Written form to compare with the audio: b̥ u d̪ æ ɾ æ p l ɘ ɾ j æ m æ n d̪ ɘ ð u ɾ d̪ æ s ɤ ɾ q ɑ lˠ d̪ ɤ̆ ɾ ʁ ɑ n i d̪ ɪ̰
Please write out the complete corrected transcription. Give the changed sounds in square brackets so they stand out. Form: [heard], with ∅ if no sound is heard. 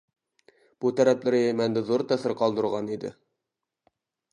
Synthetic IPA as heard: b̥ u [t̪] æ ɾ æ p l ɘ ɾ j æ m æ n d̪ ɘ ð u ɾ [t̪] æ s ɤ ɾ q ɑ lˠ d̪ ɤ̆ ɾ ʁ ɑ n i d̪ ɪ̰